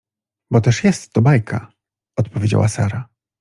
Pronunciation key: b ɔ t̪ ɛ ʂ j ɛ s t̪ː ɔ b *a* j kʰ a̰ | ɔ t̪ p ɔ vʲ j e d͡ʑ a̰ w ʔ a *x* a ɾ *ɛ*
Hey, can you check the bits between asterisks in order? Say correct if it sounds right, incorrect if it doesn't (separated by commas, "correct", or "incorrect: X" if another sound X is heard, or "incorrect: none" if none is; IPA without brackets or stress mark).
correct, incorrect: s, incorrect: a